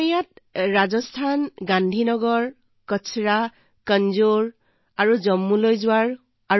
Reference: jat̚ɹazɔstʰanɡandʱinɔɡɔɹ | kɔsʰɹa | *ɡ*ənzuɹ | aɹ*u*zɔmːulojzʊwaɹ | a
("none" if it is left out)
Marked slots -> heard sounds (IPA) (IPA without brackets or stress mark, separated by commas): k, u